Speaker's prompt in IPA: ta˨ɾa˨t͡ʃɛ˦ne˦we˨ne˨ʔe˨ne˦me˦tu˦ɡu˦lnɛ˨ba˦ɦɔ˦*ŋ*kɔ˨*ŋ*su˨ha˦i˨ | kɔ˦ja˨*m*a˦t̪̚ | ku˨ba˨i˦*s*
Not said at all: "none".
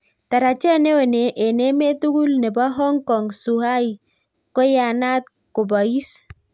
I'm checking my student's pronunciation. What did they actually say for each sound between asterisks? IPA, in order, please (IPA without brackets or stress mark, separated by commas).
ŋ, ŋ, n, s